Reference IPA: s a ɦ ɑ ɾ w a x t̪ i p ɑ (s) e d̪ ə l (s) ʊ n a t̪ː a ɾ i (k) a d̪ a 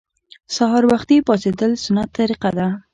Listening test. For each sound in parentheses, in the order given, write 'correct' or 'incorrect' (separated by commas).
correct, correct, incorrect